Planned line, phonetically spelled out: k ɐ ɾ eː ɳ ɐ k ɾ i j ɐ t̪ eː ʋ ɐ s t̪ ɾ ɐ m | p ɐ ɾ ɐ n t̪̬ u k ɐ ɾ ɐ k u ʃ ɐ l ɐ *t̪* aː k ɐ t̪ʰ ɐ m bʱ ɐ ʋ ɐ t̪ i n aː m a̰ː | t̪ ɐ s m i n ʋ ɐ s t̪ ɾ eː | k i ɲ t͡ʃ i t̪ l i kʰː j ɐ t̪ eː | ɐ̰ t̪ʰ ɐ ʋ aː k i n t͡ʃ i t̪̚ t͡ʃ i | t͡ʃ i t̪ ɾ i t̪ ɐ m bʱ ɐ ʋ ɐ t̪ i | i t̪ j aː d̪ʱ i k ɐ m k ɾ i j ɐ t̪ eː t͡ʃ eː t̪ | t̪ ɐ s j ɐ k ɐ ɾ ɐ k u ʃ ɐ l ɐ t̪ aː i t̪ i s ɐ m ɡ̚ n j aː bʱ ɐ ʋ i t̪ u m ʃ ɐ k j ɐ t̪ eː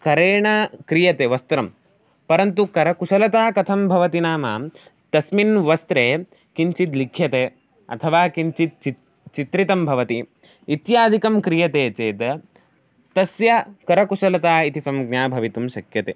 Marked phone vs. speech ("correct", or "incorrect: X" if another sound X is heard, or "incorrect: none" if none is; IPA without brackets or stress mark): correct